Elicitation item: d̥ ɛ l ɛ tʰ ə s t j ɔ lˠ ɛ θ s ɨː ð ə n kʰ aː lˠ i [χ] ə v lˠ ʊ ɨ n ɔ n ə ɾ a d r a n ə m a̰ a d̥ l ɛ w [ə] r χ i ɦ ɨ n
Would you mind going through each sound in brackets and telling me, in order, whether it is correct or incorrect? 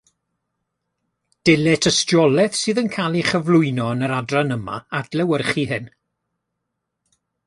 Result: correct, correct

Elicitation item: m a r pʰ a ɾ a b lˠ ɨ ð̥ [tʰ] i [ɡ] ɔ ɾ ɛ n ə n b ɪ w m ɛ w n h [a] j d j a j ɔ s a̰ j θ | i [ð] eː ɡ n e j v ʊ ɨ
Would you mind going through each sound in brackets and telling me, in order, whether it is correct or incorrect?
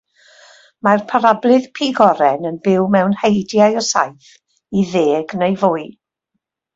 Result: incorrect, correct, incorrect, correct

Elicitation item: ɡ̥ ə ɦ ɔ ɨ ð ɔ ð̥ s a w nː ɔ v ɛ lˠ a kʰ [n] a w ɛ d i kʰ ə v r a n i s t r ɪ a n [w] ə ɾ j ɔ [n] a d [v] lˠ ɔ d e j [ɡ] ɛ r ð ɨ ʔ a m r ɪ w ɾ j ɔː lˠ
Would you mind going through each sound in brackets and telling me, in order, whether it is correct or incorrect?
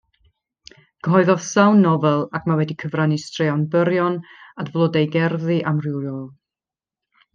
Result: incorrect, incorrect, correct, correct, correct

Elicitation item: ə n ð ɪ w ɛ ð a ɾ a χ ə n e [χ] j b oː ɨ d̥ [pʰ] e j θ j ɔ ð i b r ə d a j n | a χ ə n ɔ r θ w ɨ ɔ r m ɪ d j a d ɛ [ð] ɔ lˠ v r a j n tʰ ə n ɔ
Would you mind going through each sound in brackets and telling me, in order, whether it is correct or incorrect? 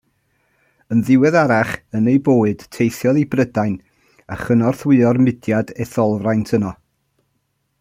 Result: incorrect, incorrect, incorrect

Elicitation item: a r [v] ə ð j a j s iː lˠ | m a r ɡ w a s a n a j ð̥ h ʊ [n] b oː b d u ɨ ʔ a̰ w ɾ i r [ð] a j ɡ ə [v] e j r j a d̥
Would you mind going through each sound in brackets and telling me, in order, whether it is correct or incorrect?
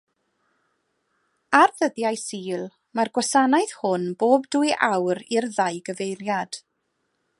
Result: incorrect, correct, correct, correct

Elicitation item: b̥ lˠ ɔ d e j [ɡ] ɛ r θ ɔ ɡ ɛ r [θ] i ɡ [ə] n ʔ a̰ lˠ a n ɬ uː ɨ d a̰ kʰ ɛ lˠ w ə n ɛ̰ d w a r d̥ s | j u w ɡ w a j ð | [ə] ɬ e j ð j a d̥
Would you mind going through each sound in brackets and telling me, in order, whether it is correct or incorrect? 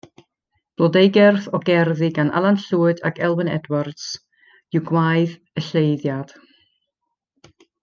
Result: correct, incorrect, incorrect, correct

